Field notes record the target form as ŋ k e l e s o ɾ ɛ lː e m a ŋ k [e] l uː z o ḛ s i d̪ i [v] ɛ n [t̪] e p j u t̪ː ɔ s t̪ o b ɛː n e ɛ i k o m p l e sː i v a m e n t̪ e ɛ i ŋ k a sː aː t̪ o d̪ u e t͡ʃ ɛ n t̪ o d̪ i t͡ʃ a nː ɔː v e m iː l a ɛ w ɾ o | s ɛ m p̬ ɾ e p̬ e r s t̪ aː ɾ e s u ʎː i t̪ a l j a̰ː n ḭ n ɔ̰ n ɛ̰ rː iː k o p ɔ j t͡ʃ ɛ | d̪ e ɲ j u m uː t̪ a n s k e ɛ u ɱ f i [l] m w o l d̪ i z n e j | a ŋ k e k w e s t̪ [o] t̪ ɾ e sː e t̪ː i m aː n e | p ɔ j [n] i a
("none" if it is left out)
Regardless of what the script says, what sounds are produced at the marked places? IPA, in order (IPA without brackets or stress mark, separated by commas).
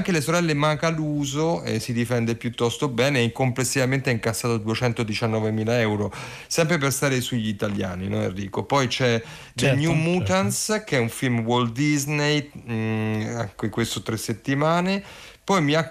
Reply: a, f, d̪, l, o, m